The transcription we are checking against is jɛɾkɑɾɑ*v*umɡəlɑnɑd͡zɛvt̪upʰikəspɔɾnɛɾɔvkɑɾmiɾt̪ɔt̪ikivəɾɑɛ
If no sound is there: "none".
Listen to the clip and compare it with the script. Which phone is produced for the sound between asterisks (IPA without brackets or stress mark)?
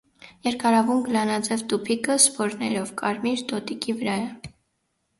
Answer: v